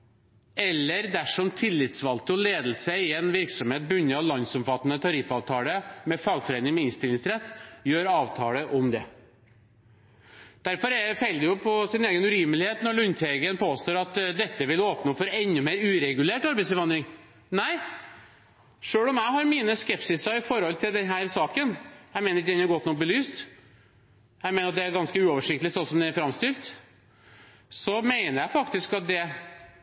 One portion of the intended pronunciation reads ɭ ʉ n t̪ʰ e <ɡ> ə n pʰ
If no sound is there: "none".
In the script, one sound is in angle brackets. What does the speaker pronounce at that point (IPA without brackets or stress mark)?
ɡ